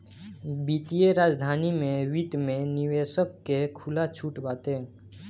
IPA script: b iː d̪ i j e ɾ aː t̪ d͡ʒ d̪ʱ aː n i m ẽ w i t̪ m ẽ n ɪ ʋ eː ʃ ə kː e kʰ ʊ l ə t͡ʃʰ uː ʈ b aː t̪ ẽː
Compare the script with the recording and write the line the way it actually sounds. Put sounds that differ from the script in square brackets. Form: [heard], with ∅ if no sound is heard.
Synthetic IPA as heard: b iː [t̪] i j e ɾ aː [∅] d͡ʒ d̪ʱ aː n i m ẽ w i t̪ m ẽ n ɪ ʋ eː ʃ ə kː e kʰ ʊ l [a] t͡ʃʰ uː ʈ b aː t̪ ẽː